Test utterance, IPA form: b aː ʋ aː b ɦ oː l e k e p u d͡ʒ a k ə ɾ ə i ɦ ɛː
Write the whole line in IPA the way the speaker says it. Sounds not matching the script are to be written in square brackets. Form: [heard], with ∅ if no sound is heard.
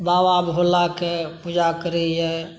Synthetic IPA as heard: b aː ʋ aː b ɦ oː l [a] k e p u d͡ʒ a k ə ɾ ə i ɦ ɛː

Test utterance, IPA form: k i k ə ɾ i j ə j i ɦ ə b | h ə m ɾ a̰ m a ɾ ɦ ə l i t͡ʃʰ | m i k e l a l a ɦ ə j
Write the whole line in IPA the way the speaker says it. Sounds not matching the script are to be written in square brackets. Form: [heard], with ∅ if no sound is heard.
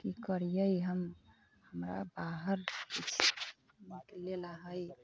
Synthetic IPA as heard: k i k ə ɾ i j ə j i ɦ ə [m] | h ə m ɾ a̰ [b] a [∅] ɦ ə [ɾ] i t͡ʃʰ | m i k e l [e] l a ɦ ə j

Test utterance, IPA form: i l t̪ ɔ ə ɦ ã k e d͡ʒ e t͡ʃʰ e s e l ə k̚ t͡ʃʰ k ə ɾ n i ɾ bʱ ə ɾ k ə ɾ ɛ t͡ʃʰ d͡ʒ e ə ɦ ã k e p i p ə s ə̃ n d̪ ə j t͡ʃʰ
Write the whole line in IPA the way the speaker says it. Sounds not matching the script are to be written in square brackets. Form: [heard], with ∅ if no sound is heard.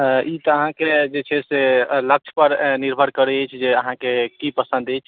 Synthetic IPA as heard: i [∅] t̪ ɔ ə ɦ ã k e d͡ʒ e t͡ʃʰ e s e l ə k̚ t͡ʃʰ [p] ə ɾ n i ɾ bʱ ə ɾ k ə ɾ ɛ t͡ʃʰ d͡ʒ e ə ɦ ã k e [k] i p ə s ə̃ n d̪ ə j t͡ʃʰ

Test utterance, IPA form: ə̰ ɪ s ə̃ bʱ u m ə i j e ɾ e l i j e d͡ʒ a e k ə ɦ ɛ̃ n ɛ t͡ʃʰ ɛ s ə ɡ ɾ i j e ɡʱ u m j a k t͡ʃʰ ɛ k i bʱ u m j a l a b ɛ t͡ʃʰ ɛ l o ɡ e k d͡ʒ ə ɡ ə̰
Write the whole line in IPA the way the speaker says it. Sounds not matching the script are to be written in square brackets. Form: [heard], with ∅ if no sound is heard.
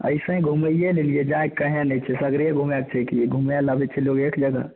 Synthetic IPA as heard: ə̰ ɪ s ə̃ [ɡʱ] u m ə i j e [l] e l i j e d͡ʒ a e k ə ɦ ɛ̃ n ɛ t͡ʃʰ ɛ s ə ɡ ɾ i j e ɡʱ u m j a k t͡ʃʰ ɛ k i [ɡʱ] u m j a l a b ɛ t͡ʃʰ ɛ l o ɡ e k d͡ʒ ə ɡ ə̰

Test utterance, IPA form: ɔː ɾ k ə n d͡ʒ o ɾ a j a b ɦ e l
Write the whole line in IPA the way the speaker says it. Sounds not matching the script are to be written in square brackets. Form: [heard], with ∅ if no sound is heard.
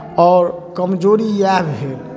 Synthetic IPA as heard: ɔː ɾ k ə [m] d͡ʒ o ɾ [i] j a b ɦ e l

